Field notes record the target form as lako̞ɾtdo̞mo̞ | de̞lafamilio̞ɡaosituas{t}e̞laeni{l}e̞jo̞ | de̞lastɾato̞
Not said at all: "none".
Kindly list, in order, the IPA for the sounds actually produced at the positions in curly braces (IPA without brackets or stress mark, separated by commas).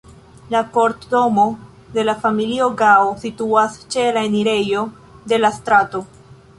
t͡ʃ, ɾ